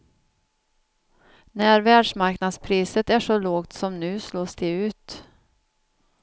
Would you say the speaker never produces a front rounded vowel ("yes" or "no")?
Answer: yes